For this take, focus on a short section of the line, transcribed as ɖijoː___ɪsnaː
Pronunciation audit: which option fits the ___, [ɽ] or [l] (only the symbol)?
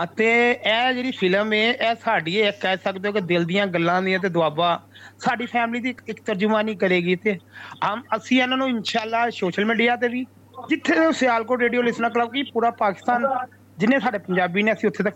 l